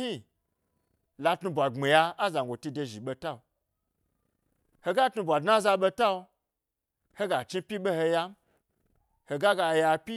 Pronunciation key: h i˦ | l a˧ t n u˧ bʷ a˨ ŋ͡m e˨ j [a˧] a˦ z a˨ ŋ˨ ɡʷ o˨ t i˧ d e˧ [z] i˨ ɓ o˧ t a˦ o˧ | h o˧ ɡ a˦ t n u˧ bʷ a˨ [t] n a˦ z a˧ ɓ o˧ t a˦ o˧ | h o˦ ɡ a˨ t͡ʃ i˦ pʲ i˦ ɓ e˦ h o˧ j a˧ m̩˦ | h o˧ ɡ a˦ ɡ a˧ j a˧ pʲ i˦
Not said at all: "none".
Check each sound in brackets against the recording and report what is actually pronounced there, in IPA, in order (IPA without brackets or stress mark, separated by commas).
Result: a˧, ʒ, d